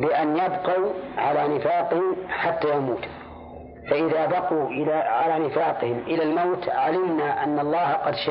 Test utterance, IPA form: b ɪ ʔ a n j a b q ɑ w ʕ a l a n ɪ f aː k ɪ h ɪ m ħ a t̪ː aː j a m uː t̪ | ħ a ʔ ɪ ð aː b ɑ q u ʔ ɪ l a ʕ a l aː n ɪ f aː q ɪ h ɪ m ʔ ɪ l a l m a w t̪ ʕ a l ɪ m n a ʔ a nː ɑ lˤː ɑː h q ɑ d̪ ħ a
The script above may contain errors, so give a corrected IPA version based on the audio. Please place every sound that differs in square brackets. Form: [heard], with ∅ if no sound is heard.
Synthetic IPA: b ɪ ʔ a n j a b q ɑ w ʕ a l a n ɪ f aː [q] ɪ h ɪ m ħ a t̪ː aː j a m uː t̪ | [f] a ʔ ɪ ð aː b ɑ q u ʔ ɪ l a ʕ a l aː n ɪ f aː q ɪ h ɪ m ʔ ɪ l a l m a w t̪ ʕ a l ɪ m n a ʔ a nː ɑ lˤː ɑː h q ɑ d̪ [ʃ] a